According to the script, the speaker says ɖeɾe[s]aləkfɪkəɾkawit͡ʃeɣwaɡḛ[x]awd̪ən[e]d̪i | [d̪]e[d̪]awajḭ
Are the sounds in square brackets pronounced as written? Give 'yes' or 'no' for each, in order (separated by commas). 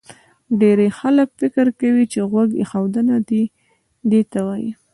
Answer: no, yes, no, yes, no